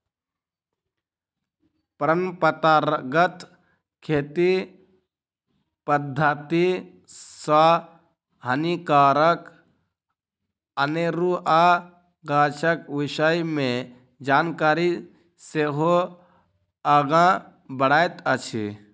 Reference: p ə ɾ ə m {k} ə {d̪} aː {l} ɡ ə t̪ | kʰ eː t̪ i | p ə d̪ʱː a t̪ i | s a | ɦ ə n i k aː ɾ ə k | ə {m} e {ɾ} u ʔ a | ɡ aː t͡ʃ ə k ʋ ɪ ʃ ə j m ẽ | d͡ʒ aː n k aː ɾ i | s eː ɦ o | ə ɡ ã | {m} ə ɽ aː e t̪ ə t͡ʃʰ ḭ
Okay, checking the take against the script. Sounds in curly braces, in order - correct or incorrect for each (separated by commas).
incorrect, incorrect, incorrect, incorrect, correct, incorrect